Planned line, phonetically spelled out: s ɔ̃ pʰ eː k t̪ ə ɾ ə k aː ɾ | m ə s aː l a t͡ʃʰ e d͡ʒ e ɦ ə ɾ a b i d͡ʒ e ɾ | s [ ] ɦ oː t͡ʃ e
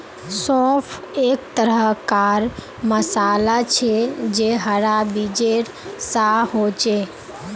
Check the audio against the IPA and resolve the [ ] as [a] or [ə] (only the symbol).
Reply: a